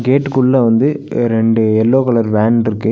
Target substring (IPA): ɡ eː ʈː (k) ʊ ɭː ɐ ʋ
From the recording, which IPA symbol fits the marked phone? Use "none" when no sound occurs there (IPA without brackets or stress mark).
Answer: k